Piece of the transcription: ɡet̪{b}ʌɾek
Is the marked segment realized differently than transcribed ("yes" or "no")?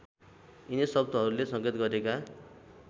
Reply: yes